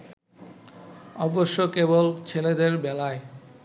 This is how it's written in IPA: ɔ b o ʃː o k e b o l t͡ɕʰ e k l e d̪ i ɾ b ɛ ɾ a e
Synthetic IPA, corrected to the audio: ɔ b o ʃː o k e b o l t͡ɕʰ e l e d̪ e ɾ b ɛ l a e